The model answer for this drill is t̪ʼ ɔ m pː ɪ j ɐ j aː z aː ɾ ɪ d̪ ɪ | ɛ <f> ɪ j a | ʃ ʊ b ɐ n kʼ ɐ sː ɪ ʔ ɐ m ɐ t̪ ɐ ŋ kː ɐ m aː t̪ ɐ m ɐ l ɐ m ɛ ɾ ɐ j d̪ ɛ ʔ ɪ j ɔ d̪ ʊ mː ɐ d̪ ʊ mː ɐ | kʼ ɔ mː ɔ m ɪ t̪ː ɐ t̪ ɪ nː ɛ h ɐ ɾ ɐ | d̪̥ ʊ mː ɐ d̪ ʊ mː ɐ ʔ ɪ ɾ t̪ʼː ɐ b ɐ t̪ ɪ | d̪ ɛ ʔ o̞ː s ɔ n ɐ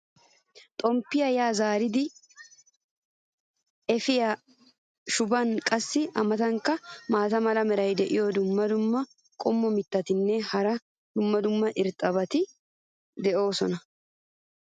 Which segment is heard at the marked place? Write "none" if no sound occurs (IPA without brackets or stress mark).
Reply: f